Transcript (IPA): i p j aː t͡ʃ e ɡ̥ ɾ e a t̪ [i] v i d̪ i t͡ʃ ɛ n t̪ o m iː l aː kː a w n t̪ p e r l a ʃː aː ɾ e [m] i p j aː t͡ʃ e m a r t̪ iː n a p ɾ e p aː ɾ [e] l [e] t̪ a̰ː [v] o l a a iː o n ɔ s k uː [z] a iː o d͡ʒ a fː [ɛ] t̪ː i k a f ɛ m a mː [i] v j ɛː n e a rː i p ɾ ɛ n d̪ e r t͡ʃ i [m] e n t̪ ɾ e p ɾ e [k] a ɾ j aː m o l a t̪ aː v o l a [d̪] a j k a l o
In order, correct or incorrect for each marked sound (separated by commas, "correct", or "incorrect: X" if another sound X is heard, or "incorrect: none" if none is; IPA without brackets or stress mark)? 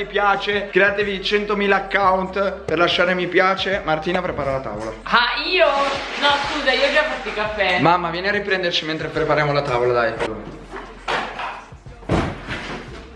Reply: incorrect: e, correct, incorrect: a, incorrect: a, correct, correct, incorrect: a, incorrect: a, correct, incorrect: p, correct